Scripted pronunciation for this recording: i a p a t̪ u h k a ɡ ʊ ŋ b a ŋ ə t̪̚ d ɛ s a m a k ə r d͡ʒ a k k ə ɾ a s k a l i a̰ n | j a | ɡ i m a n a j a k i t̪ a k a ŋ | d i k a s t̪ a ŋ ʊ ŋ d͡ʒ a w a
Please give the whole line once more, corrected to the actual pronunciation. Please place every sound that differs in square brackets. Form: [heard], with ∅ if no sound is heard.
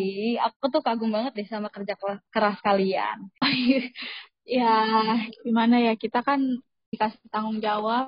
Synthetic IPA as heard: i a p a t̪ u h k a ɡ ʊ ŋ b a ŋ ə t̪̚ d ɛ s a m a k ə r d͡ʒ a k k ə ɾ a s k a l i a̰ n | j a | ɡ i m a n a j a k i t̪ a k a [n] | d i k a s t̪ a ŋ ʊ ŋ d͡ʒ a w a